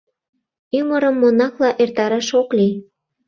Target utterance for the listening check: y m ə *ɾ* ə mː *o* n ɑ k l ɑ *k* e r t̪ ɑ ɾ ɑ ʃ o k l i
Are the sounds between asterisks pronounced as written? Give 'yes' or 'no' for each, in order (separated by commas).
yes, yes, no